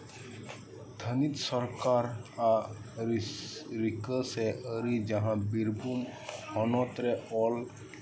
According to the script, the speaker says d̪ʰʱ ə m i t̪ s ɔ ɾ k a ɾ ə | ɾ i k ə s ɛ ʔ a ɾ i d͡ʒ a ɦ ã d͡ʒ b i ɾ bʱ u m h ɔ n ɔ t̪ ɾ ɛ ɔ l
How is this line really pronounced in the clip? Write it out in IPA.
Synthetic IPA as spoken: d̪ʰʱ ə n i t̪ s ɔ ɾ k a ɾ a | ɾ i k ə s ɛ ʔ ə ɾ i d͡ʒ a ɦ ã b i ɾ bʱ u m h ɔ n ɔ t̪ ɾ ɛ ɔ l